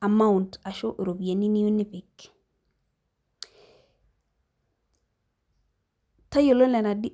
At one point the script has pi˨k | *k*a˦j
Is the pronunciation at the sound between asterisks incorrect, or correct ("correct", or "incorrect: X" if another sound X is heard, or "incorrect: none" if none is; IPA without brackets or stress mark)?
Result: incorrect: t